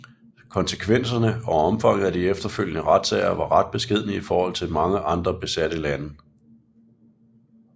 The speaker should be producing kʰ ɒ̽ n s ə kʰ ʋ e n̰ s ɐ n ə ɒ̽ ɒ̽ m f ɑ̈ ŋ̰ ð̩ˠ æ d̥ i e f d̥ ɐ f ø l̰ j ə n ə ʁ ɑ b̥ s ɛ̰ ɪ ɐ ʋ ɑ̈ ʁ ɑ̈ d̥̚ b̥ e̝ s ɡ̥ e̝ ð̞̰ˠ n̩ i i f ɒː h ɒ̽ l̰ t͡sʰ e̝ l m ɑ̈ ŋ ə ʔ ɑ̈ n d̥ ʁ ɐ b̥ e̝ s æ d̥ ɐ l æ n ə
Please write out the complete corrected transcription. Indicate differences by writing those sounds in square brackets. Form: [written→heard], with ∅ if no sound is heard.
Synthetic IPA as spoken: kʰ ɒ̽ n s ə kʰ ʋ e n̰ s ɐ n ə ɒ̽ ɒ̽ m f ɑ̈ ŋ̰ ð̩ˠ æ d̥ i e f d̥ ɐ f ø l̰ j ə n ə ʁ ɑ [b̥→d̥] s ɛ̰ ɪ ɐ ʋ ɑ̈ ʁ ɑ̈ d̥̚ b̥ e̝ s ɡ̥ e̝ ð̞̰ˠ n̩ i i f ɒː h ɒ̽ l̰ t͡sʰ e̝ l m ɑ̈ ŋ ə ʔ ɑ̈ n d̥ ʁ ɐ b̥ e̝ s æ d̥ [ɐ→ə] l æ n ə